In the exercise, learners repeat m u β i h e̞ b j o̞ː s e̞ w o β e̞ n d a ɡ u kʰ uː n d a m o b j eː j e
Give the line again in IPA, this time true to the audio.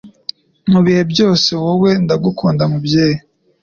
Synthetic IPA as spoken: m u β i h e̞ b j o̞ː s e̞ w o w e̞ n d a ɡ u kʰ uː n d a m u b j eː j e